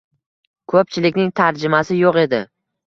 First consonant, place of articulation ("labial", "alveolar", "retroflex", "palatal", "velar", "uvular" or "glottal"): velar